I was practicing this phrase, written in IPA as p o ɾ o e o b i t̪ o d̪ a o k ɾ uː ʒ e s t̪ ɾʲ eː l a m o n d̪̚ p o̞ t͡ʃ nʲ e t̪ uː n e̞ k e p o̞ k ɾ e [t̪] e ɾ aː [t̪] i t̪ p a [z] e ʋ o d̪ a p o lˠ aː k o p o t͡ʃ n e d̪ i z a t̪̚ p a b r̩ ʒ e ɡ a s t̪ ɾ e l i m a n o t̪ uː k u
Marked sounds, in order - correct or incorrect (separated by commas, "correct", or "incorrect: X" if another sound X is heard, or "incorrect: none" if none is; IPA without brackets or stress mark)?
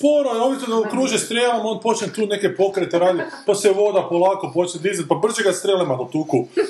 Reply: correct, incorrect: d̪, incorrect: s